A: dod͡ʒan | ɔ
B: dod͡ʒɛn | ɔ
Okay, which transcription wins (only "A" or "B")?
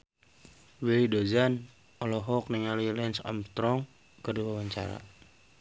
A